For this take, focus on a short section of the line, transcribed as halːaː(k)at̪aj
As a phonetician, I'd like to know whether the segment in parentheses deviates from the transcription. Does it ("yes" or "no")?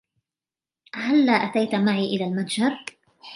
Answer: yes